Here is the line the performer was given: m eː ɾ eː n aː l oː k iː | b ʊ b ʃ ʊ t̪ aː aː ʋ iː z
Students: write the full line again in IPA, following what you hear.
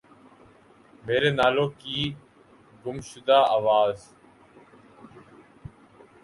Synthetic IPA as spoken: m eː ɾ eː n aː l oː k iː | ɡ ʊ m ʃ ʊ d̪ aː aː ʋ aː z